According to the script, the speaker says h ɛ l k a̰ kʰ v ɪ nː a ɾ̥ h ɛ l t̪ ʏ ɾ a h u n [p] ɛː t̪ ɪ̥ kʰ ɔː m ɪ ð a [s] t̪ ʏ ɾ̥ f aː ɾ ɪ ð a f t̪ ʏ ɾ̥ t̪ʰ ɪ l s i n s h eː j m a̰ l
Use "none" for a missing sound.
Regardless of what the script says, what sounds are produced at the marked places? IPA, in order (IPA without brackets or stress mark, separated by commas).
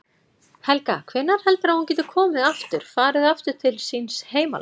c, f